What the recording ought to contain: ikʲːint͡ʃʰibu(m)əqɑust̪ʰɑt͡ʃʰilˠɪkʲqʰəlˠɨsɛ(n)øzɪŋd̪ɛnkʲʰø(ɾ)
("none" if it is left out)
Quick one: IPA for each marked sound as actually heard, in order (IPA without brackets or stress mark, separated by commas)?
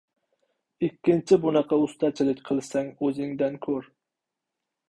n, ŋ, ɾ